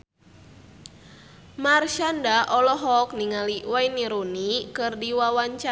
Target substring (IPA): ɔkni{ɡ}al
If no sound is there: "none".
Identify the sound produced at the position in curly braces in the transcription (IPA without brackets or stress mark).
ŋ